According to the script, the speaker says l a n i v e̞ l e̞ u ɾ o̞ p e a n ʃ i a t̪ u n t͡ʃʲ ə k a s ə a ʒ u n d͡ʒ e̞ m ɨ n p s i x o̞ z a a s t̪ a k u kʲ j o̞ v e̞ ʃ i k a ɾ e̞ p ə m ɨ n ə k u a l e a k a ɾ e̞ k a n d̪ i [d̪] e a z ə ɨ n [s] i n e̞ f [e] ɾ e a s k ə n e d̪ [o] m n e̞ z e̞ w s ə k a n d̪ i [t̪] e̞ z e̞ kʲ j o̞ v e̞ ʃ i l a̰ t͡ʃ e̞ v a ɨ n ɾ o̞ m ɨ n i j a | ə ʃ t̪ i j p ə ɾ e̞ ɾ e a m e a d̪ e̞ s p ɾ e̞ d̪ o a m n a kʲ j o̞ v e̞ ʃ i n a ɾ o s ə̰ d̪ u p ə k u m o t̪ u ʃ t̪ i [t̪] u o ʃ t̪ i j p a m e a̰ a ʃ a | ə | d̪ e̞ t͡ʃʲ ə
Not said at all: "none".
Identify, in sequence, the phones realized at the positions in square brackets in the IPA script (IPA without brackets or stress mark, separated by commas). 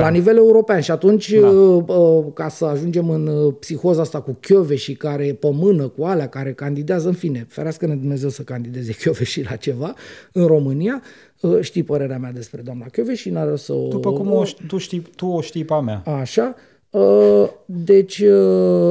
d̪, f, e, u, d̪, t̪